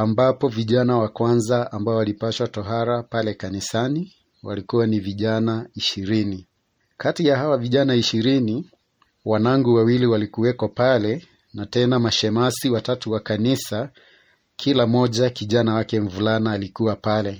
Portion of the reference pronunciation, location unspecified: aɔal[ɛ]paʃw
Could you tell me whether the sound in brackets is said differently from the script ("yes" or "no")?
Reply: yes